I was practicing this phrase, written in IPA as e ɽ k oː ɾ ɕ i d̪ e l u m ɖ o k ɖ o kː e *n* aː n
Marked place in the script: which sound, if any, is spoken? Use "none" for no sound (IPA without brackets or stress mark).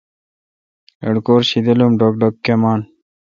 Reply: m